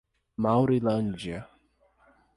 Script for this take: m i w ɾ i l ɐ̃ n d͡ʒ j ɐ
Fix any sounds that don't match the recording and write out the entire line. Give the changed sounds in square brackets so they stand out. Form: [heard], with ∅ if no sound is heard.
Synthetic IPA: m [a] w ɾ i l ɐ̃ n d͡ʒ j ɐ